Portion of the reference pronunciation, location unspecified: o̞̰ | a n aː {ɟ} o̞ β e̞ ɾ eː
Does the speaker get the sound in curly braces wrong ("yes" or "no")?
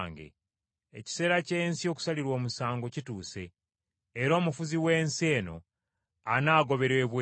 yes